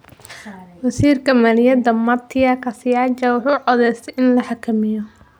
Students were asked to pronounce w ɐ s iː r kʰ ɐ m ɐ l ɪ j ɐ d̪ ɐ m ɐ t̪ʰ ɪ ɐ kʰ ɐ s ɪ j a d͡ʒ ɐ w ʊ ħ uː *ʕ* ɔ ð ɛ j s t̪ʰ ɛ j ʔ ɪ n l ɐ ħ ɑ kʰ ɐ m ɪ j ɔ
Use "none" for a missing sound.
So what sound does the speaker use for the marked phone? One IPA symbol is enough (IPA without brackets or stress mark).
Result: ʕ